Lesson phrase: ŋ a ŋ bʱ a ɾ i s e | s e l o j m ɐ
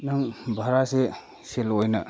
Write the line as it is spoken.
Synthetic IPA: n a ŋ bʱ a ɾ a s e | s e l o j n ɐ